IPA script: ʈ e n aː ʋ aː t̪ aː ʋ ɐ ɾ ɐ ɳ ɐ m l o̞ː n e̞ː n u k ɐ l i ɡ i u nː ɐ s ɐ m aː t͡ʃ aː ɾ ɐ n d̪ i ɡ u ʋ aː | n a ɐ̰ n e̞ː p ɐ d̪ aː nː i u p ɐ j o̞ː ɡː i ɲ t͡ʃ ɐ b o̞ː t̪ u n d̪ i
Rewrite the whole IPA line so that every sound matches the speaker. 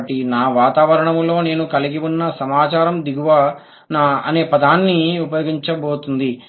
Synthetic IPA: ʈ i n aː ʋ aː t̪ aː ʋ ɐ ɾ ɐ ɳ ɐ m l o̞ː n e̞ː n u k ɐ l i ɡ i u nː ɐ s ɐ m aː t͡ʃ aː ɾ ɐ m d̪ i ɡ u ʋ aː | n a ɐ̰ n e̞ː p ɐ d̪ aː nː i u p ɐ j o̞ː ɡ i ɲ t͡ʃ ɐ b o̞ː t̪ u n d̪ i